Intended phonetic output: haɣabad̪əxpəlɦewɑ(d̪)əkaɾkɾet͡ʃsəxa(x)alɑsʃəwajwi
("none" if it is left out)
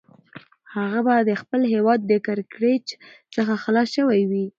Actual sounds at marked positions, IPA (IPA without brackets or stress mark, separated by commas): d̪ː, x